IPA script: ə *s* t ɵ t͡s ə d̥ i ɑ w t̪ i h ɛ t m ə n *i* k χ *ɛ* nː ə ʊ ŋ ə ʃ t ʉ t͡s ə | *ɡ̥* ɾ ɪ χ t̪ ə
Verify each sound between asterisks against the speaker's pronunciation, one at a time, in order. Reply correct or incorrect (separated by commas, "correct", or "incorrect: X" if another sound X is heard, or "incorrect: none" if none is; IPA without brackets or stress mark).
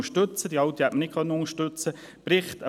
incorrect: ʃ, incorrect: ɪ, incorrect: œ, incorrect: b̥